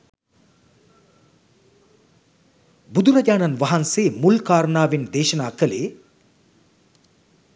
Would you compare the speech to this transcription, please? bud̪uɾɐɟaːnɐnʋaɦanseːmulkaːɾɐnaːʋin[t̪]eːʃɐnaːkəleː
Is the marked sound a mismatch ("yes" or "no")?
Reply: yes